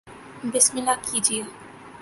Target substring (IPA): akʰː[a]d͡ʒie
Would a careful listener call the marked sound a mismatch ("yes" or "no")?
yes